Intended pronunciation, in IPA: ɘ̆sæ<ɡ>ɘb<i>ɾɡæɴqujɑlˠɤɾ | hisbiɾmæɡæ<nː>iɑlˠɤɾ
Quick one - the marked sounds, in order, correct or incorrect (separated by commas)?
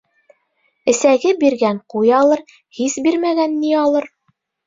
correct, correct, correct